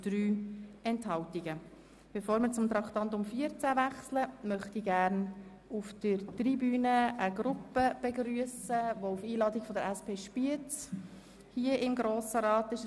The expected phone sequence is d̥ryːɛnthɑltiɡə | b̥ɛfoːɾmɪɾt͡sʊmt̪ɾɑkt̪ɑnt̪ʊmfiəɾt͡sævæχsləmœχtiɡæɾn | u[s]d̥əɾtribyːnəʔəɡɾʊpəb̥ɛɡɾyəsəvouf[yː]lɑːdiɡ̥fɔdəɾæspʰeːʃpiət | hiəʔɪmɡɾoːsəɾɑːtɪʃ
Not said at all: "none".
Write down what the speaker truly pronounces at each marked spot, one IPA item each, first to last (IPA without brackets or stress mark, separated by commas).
f, iː